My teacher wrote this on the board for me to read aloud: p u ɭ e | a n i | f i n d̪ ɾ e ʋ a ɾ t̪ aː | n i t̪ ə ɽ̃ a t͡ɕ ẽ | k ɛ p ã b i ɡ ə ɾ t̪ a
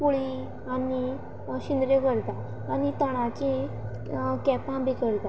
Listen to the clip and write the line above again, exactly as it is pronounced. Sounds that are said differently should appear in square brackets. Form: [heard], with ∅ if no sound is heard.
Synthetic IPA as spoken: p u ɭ [i] | a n i | [ɕ] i n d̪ ɾ e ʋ [ə] ɾ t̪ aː | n i t̪ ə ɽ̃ a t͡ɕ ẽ | k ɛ p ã b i [k] ə ɾ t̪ a